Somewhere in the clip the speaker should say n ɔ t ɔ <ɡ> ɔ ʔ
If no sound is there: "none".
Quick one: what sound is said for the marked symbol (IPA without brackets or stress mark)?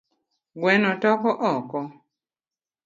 k